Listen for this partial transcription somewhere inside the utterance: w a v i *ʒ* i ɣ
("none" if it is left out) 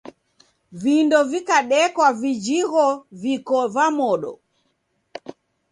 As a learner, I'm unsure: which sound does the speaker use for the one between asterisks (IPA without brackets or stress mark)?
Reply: d͡ʒ